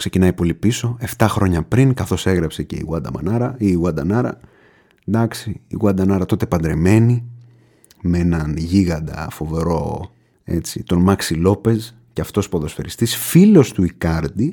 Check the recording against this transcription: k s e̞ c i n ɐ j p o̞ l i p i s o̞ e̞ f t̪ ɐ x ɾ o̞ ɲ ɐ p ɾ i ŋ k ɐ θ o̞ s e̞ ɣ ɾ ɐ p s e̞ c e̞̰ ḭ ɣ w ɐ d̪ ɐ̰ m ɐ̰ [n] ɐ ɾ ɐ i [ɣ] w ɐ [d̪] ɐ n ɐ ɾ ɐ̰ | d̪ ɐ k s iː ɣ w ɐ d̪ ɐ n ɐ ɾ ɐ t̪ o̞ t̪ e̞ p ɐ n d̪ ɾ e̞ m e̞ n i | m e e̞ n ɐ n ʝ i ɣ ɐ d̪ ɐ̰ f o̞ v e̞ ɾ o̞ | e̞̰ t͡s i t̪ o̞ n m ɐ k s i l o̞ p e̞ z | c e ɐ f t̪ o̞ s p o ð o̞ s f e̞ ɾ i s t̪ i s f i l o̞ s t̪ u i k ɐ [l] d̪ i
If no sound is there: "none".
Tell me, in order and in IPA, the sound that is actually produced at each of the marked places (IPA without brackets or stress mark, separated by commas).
n, ɣ, d̪, ɾ